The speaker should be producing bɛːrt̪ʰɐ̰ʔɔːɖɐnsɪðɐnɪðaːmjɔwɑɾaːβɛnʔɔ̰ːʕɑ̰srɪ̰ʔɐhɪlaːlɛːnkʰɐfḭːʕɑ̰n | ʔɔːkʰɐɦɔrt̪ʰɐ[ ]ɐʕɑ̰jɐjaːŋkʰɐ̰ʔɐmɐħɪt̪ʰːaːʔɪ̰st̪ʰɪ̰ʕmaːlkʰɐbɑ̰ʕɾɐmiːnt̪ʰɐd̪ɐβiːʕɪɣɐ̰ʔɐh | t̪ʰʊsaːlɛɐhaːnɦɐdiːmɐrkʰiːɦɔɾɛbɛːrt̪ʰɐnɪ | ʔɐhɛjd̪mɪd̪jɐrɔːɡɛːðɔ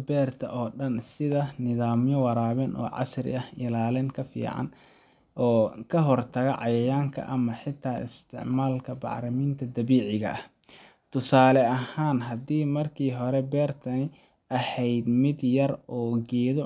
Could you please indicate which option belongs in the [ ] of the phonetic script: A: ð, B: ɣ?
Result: B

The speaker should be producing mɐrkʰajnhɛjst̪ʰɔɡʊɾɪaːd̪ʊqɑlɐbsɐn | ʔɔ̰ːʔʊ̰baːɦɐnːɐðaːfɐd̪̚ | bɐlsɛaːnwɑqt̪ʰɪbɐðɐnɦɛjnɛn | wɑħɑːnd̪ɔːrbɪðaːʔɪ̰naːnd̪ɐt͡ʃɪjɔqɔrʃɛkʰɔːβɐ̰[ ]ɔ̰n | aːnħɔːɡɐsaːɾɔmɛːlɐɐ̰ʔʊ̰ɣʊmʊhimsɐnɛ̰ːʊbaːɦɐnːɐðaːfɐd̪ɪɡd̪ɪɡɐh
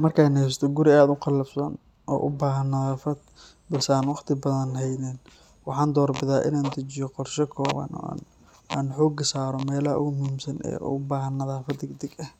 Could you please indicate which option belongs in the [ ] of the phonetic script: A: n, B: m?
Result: A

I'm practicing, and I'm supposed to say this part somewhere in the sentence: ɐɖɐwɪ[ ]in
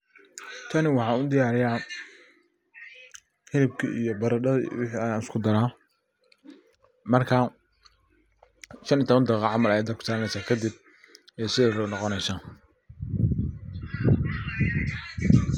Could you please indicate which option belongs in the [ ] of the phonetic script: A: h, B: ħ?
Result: B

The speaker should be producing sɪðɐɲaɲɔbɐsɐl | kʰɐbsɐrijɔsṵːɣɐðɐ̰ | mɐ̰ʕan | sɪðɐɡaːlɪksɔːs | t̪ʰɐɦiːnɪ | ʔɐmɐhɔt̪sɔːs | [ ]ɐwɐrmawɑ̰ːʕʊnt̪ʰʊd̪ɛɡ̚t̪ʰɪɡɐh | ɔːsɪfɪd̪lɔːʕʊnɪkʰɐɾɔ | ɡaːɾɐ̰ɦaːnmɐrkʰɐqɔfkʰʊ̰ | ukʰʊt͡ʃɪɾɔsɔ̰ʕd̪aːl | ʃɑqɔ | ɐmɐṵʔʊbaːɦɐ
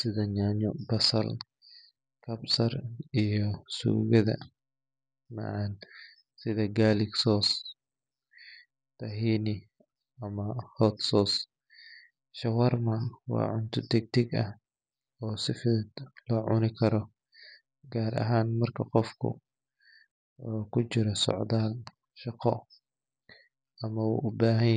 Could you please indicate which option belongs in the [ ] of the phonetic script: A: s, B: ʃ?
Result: B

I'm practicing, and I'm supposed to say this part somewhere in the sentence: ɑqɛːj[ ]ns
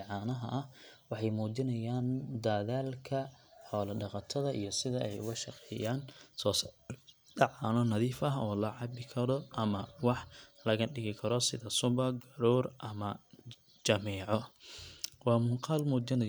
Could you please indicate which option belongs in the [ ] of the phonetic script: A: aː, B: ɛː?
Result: A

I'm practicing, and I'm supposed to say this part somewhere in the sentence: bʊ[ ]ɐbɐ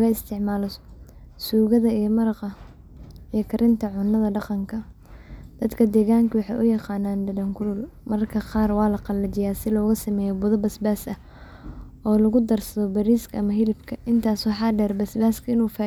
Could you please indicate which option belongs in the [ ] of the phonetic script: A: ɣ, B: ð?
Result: B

